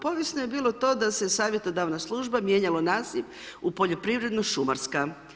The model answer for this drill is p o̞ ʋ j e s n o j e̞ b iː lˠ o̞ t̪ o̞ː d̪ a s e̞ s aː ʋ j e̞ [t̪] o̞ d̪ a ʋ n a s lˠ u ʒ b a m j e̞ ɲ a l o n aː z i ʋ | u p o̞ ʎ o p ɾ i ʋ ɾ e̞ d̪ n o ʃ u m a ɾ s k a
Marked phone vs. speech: correct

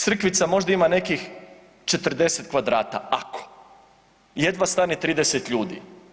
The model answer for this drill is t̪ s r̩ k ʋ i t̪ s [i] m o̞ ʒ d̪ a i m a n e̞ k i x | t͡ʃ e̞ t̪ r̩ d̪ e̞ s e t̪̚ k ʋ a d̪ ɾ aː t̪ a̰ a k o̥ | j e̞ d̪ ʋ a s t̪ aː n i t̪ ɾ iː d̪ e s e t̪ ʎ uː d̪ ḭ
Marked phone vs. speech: incorrect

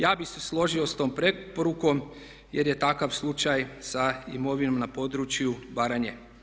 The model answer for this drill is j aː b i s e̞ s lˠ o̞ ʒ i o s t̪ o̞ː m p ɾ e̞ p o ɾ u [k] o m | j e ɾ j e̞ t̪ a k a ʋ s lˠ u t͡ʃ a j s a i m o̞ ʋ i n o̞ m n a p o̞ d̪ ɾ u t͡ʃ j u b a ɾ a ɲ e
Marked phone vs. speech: correct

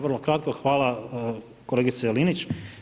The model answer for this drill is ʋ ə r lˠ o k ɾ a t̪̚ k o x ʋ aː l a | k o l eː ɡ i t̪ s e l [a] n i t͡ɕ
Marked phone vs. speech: incorrect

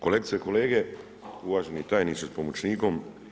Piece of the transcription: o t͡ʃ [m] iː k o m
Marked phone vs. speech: incorrect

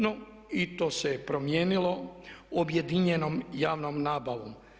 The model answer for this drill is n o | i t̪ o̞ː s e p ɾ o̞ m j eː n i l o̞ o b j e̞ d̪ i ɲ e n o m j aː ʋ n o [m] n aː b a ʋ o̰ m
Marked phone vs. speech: correct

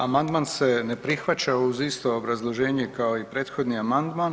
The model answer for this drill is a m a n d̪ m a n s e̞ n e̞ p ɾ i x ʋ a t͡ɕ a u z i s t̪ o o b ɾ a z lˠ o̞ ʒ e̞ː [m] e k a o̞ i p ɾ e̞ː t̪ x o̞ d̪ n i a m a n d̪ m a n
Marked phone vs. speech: incorrect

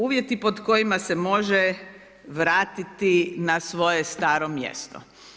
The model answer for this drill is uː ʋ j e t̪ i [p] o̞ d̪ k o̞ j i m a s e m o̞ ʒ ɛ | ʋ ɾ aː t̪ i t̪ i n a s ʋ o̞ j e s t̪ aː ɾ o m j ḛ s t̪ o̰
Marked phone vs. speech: correct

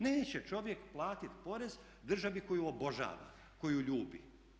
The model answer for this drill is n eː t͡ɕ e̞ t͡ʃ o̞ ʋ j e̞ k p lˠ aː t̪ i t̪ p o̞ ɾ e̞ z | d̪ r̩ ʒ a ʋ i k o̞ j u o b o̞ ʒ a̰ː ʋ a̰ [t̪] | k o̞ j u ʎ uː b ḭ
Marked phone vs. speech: incorrect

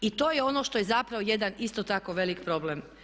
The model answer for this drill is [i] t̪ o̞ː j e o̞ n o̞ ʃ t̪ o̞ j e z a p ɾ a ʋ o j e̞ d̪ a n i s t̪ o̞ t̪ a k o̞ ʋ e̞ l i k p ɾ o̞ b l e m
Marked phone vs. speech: correct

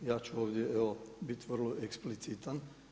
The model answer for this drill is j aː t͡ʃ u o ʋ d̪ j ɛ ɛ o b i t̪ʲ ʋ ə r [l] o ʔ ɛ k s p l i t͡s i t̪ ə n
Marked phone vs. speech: correct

